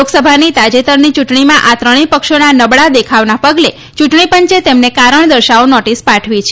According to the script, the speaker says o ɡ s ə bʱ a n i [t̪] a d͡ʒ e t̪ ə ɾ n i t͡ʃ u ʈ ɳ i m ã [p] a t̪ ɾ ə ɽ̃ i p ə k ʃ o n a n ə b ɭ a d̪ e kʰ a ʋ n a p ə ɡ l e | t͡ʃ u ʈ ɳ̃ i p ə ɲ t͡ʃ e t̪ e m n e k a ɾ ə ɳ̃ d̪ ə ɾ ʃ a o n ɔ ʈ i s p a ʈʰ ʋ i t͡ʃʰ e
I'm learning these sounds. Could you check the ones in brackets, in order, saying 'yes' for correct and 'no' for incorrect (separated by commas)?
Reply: yes, no